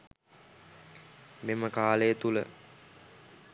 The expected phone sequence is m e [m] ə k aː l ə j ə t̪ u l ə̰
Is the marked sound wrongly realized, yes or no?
no